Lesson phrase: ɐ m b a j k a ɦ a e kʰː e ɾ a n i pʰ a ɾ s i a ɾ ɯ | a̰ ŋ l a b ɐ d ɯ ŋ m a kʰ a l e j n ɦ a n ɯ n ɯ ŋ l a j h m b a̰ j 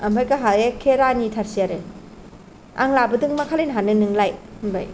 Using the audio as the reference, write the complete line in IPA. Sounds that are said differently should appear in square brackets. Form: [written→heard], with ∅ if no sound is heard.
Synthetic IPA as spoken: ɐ m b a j k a ɦ a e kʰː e ɾ a n i [pʰ→tʰ] a ɾ s i a ɾ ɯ | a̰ ŋ l a b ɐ d ɯ ŋ m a kʰ a l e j n ɦ a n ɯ n ɯ ŋ l a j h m b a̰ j